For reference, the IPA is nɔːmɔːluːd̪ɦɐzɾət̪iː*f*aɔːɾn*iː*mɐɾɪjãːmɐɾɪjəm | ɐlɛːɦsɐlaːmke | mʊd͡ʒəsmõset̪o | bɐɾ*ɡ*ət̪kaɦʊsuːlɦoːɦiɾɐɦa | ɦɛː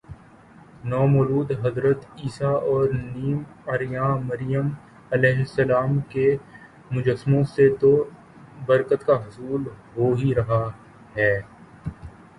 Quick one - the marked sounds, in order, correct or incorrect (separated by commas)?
incorrect, correct, incorrect